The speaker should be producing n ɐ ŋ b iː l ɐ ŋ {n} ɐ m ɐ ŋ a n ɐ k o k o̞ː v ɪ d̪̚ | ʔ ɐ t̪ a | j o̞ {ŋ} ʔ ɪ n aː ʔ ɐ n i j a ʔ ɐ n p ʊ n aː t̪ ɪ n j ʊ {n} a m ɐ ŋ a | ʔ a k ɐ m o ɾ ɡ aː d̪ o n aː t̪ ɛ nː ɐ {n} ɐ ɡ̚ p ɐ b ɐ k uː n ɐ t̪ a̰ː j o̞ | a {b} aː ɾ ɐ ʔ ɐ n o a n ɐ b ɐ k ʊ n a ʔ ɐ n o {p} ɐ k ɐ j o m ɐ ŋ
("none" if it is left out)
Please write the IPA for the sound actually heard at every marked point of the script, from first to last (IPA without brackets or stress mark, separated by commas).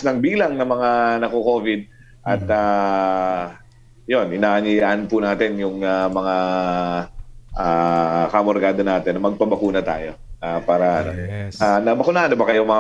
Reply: n, n, ŋ, m, p, b